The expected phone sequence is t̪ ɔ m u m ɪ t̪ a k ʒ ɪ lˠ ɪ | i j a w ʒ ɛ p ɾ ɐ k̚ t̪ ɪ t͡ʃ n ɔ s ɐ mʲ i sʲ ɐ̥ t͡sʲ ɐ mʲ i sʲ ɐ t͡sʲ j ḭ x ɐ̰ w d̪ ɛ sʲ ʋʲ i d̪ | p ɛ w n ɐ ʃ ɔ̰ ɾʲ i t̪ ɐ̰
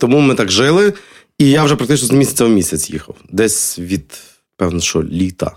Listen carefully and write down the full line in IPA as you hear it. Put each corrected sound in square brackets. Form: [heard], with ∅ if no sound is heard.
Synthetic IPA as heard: t̪ ɔ m u m ɪ t̪ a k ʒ ɪ lˠ ɪ | i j a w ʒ ɛ p ɾ ɐ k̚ t̪ ɪ t͡ʃ n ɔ [z] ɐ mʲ i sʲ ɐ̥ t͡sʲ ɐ mʲ i sʲ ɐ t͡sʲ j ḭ x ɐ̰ w d̪ ɛ sʲ ʋʲ i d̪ | p ɛ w n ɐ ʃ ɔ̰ [lʲ] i t̪ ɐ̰